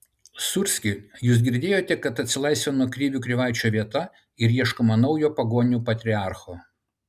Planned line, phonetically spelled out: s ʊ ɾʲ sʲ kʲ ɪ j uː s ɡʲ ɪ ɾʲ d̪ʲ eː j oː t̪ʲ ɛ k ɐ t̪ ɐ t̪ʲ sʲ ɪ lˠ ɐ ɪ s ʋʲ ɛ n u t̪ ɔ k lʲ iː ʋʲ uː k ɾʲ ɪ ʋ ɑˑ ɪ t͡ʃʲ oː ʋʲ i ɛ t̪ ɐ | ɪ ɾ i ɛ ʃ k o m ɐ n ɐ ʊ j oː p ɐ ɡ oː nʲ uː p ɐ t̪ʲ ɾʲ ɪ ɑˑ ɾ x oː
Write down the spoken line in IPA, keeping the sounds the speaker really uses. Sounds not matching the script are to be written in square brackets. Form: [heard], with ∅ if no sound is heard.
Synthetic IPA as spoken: s ʊ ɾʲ sʲ kʲ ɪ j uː s ɡʲ ɪ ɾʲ d̪ʲ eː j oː t̪ʲ ɛ k ɐ t̪ ɐ t̪ʲ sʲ ɪ lˠ ɐ ɪ s ʋʲ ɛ n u [∅] ɔ k [ɾʲ] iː ʋʲ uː k ɾʲ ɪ ʋ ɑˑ ɪ t͡ʃʲ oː ʋʲ i ɛ t̪ ɐ | ɪ ɾ i ɛ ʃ k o m ɐ n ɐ ʊ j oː p ɐ ɡ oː nʲ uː p ɐ t̪ʲ ɾʲ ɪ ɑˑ ɾ x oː

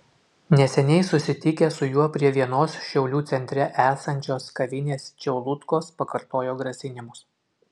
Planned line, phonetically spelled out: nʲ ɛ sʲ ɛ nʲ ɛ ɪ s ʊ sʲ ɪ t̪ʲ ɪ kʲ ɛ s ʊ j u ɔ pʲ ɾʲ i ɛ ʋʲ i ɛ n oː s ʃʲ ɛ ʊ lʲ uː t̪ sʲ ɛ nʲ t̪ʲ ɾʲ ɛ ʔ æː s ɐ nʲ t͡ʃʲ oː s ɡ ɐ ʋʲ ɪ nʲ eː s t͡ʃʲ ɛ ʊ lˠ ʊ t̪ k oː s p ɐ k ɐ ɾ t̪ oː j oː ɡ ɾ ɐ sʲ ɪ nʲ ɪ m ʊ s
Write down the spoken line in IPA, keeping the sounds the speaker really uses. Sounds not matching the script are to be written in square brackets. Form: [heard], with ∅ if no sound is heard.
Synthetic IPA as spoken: nʲ ɛ sʲ ɛ nʲ ɛ ɪ s ʊ sʲ ɪ t̪ʲ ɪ kʲ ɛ s ʊ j u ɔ pʲ ɾʲ i ɛ ʋʲ i ɛ n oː s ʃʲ ɛ ʊ lʲ uː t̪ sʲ ɛ nʲ t̪ʲ ɾʲ ɛ ʔ æː s ɐ nʲ t͡ʃʲ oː s [k] ɐ ʋʲ ɪ nʲ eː s t͡ʃʲ ɛ ʊ lˠ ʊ t̪ k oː s p ɐ k ɐ ɾ t̪ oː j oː ɡ ɾ ɐ sʲ ɪ nʲ ɪ m ʊ s

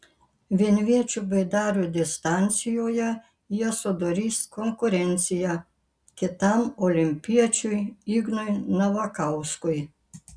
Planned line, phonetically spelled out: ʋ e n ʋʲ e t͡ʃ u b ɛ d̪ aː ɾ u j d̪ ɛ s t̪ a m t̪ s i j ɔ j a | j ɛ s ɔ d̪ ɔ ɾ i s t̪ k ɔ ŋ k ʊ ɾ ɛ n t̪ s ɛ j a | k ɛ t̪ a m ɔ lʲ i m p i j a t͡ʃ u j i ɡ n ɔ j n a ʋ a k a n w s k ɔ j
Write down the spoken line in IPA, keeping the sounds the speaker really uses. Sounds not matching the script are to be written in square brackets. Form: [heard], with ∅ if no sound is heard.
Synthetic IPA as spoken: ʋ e n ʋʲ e t͡ʃ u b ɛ d̪ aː ɾ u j d̪ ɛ s t̪ a [n] t̪ s i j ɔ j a | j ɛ s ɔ d̪ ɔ ɾ i s t̪ k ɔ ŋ k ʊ ɾ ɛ n t̪ s [i] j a | k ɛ t̪ a m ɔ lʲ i m p i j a t͡ʃ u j i ɡ n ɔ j n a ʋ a k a [∅] w s k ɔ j

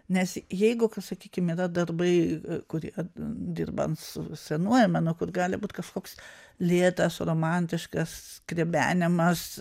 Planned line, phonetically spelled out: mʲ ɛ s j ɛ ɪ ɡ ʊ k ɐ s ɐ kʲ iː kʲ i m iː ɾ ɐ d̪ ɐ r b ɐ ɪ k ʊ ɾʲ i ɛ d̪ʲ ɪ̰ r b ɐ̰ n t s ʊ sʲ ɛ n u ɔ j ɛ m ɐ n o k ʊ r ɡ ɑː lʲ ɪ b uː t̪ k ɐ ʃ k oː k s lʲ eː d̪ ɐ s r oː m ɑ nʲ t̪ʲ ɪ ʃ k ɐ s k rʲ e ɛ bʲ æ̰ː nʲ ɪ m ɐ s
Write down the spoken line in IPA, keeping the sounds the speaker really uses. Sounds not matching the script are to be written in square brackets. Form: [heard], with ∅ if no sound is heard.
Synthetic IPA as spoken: [nʲ] ɛ s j ɛ ɪ ɡ ʊ k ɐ s ɐ kʲ iː kʲ [ɪ] m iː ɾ ɐ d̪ ɐ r b ɐ ɪ k ʊ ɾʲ i ɛ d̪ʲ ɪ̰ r b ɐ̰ n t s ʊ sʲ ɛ n u ɔ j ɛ m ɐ n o k ʊ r ɡ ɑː lʲ ɪ b uː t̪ k ɐ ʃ k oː k s lʲ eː [t̪] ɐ s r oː m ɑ nʲ t̪ʲ ɪ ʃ k ɐ s k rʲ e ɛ bʲ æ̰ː nʲ ɪ m ɐ s

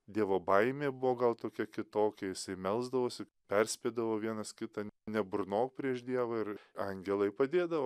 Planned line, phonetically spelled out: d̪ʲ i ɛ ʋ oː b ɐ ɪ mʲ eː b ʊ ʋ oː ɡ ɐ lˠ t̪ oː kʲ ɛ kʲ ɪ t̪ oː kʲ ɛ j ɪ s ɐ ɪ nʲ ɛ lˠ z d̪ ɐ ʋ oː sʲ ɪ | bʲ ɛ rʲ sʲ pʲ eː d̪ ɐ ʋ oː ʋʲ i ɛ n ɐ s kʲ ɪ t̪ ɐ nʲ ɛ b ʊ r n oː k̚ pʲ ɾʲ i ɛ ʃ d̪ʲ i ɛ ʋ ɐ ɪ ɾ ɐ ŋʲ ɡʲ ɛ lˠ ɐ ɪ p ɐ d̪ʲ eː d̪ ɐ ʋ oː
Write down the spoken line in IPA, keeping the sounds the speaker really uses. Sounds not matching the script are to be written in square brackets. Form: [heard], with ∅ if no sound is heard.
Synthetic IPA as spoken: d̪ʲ i ɛ ʋ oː b ɐ ɪ mʲ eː b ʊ ʋ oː ɡ ɐ lˠ t̪ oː kʲ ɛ kʲ ɪ t̪ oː kʲ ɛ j ɪ s ɐ ɪ [mʲ] ɛ lˠ z d̪ ɐ ʋ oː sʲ ɪ | [pʲ] ɛ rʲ sʲ pʲ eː d̪ ɐ ʋ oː ʋʲ i ɛ n ɐ s kʲ ɪ t̪ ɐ nʲ ɛ b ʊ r n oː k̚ pʲ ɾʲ i ɛ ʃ d̪ʲ i ɛ ʋ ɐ ɪ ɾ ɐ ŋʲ ɡʲ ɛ lˠ ɐ ɪ p ɐ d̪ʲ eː d̪ ɐ ʋ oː

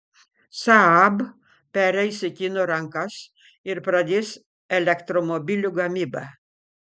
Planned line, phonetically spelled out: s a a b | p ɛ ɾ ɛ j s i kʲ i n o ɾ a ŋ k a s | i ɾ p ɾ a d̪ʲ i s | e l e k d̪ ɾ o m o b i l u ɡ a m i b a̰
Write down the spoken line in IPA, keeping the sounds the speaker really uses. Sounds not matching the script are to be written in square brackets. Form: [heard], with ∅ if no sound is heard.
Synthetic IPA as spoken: s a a b | p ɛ ɾ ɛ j s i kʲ i n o ɾ a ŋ k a s | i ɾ p ɾ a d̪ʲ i s | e l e k [t̪] ɾ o m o b i l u ɡ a m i b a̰

